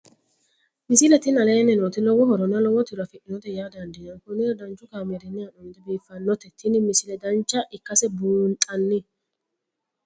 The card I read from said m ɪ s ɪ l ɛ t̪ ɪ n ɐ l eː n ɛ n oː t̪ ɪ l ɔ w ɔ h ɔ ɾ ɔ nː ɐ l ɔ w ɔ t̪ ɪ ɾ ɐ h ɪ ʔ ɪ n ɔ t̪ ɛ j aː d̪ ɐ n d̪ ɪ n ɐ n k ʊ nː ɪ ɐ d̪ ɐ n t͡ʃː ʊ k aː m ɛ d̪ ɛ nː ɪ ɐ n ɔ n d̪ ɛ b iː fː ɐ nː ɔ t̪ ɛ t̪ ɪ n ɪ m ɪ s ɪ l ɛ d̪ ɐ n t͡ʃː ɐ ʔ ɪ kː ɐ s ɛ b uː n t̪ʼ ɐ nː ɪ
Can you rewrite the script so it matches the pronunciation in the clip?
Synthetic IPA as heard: m ɪ s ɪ l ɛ t̪ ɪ n ɐ l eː n ɛ n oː t̪ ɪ l ɔ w ɔ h ɔ ɾ ɔ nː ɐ l ɔ w ɔ t̪ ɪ ɾ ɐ f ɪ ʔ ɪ n ɔ t̪ ɛ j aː d̪ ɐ n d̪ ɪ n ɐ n k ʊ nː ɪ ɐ d̪ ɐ n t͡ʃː ʊ k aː m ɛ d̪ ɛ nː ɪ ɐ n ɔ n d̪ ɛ b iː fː ɐ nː ɔ t̪ ɛ t̪ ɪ n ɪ m ɪ s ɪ l ɛ d̪ ɐ n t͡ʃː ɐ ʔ ɪ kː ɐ s ɛ b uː n t̪ʼ ɐ nː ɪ